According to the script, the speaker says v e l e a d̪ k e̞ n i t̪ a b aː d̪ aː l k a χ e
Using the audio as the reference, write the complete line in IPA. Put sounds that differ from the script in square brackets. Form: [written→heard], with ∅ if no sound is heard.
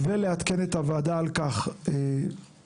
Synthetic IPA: v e l e a [d̪→t̪] k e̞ n [i→e] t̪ a [b→v] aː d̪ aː l k a χ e

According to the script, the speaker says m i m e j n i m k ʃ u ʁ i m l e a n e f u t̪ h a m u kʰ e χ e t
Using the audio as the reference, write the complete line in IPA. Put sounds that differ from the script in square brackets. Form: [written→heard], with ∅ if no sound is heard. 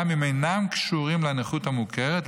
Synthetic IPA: m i m e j n [i→a] m k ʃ u ʁ i m l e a n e [f→χ] u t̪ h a m u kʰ e [χ→ʁ] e t

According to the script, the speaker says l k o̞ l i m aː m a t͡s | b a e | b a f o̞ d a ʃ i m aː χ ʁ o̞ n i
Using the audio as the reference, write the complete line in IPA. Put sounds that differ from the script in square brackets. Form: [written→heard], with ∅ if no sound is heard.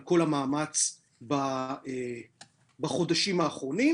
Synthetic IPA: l k o̞ l [i→a] m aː m a t͡s | b a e | b a [f→χ] o̞ d a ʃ i m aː χ ʁ o̞ n i

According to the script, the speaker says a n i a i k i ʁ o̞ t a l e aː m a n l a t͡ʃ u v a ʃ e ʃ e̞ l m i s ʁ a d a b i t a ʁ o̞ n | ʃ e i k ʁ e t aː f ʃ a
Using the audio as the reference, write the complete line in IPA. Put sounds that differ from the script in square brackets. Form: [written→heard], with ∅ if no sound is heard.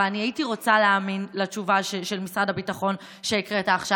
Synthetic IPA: a n i a i [k→t] i ʁ o̞ [t→t͡s] a l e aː m [a→i] n l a t͡ʃ u v a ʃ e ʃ e̞ l m i s ʁ a d a b i t a [ʁ→χ] o̞ n | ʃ e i k ʁ e t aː [f→χ] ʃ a

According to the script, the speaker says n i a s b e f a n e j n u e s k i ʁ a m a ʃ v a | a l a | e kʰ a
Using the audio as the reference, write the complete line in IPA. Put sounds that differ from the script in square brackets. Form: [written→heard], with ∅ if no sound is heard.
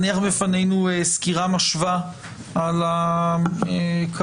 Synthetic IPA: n i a [s→χ] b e f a n e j n u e s k i ʁ a m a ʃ v a | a l a | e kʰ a

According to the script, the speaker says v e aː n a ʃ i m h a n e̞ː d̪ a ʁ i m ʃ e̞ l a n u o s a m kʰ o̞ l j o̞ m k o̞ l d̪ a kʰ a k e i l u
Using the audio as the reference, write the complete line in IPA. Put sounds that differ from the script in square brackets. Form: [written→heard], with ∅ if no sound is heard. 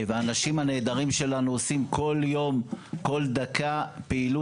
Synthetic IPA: v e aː n a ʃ i m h a n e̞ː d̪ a ʁ i m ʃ e̞ l a n u o s [a→i] m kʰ o̞ l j o̞ m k o̞ l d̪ a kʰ a [k→p] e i l u

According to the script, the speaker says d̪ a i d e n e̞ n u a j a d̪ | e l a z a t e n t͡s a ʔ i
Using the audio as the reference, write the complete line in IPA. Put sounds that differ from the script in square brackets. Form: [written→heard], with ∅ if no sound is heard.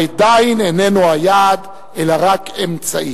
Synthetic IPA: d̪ a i [d→n] e n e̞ n u a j a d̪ | e l a [z→ʁ] a [t→k] e [n→m] t͡s a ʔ i

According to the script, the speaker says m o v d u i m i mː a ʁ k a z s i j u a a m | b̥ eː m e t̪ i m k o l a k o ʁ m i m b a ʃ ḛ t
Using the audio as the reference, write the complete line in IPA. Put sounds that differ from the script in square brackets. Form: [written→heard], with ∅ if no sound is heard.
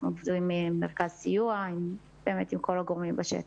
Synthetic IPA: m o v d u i m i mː [a→e] ʁ k a z s i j u a [a→i] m | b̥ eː m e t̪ i m k o l a [k→ɡ] o ʁ m i m b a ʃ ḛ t

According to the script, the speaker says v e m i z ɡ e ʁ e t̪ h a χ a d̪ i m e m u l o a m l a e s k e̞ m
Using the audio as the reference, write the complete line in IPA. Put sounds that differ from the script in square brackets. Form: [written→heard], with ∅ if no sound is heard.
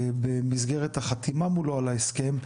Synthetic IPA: [v→b] e m i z ɡ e ʁ e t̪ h a χ a [d̪→t̪] i m [e→a] m u l o a [m→∅] l a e s k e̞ m

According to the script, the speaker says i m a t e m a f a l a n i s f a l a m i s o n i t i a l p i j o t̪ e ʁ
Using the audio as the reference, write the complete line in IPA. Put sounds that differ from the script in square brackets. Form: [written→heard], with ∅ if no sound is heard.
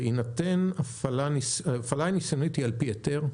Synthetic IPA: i [m→n] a t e [m→n] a f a l a n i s f a l a [m→n] i s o n i t i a l p i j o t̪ e ʁ

